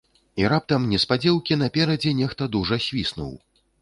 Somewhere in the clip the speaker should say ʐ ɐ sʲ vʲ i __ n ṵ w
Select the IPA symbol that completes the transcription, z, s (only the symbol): s